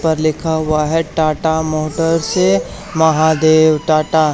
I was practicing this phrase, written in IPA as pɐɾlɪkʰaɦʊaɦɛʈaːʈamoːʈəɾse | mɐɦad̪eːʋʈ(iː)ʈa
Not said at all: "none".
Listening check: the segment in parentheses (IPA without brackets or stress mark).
aː